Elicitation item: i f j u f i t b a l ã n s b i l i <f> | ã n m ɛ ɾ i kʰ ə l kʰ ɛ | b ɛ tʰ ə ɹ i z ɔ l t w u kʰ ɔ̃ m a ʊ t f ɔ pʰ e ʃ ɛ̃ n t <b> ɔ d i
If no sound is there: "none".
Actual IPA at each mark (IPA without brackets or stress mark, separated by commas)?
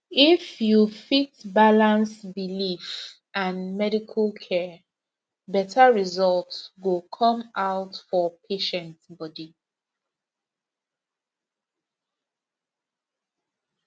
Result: f, b